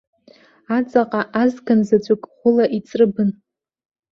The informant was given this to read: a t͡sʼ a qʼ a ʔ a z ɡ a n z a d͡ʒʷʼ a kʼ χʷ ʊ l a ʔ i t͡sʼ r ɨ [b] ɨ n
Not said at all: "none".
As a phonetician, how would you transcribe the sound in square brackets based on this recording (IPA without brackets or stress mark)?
b